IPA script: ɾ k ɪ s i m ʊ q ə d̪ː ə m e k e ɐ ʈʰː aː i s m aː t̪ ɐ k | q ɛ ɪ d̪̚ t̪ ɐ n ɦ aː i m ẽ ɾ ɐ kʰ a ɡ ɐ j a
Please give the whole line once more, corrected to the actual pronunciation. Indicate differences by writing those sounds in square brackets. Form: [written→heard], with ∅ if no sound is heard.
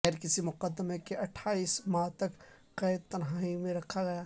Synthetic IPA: ɾ k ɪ s i m ʊ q ə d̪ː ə m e k e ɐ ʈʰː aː i s m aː t̪ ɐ k | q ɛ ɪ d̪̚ t̪ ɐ n ɦ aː i m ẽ ɾ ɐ kʰ a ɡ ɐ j a